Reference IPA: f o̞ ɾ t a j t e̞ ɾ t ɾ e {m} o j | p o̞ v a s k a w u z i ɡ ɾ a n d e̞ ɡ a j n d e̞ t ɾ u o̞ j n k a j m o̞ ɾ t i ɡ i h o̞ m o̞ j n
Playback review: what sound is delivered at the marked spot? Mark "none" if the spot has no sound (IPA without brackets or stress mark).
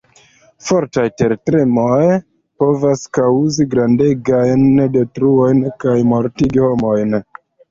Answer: m